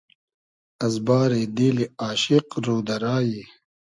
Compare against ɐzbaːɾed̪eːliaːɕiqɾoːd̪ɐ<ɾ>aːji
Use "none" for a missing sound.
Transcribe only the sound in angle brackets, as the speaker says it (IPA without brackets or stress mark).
ɾ